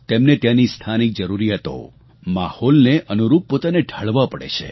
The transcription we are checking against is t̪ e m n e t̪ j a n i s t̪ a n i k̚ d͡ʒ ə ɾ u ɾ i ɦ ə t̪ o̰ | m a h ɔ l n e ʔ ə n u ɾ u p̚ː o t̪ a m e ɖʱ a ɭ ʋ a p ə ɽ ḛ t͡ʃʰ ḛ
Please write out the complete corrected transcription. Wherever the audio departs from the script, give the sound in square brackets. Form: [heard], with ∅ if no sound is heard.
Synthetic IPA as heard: t̪ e m n e t̪ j a n i s [t̪ʰ] a n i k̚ d͡ʒ ə ɾ u ɾ i ɦ ə t̪ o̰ | m a h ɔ l n e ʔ ə n u ɾ u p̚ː o t̪ a [n] e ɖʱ a ɭ ʋ a p ə ɽ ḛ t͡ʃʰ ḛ